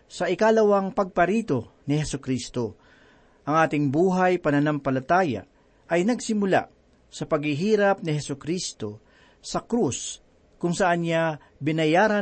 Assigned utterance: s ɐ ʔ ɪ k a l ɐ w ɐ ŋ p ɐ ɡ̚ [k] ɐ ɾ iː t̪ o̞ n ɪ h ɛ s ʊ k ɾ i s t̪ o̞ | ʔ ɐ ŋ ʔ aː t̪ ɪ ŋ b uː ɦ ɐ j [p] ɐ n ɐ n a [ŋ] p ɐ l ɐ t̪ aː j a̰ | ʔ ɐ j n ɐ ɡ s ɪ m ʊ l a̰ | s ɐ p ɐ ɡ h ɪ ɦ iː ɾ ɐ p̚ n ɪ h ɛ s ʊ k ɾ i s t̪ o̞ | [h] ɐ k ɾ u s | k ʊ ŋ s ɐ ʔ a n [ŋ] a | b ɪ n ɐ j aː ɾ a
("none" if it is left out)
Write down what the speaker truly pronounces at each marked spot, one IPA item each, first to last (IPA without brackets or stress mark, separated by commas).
p, p, m, s, ɲ